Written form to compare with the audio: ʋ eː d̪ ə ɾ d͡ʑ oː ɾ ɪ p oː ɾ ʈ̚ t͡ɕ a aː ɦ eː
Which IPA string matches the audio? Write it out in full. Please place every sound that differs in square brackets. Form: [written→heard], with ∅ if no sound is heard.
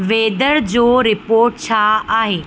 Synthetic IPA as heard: ʋ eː d̪ ə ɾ d͡ʑ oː ɾ ɪ p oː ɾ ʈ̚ [t͡ɕ→t͡ɕʰ] a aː ɦ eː